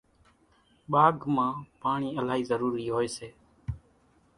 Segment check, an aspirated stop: absent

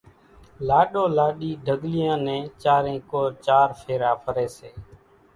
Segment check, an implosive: present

